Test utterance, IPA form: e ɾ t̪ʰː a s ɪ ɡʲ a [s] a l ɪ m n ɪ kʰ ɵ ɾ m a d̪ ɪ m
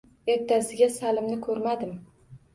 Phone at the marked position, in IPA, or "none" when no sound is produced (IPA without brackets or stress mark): s